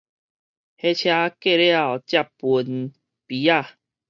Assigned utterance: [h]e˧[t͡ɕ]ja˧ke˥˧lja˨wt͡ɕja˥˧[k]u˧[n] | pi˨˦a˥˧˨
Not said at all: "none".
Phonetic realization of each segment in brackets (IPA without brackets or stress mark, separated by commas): h, t͡ɕʰ, p, n